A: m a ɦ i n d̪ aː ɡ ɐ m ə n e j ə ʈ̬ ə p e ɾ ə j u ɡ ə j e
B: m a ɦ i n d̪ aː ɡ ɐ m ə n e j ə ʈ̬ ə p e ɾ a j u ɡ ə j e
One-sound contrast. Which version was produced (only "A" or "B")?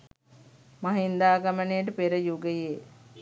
A